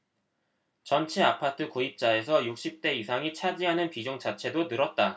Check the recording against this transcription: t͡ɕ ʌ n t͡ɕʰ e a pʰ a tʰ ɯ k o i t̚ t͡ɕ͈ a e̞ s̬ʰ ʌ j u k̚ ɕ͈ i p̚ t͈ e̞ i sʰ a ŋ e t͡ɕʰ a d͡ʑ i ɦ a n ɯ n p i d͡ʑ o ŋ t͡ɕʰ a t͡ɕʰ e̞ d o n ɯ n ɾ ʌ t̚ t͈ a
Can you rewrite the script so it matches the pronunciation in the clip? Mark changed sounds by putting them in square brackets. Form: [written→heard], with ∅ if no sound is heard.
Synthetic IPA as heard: t͡ɕ ʌ n t͡ɕʰ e a pʰ a tʰ ɯ k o i [t̚→p̚] t͡ɕ͈ a e̞ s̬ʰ ʌ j u k̚ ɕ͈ i p̚ t͈ e̞ i sʰ a ŋ [e→i] t͡ɕʰ a d͡ʑ i ɦ a n ɯ n p i d͡ʑ o ŋ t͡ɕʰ a t͡ɕʰ e̞ d o n ɯ [n→∅] ɾ ʌ t̚ t͈ a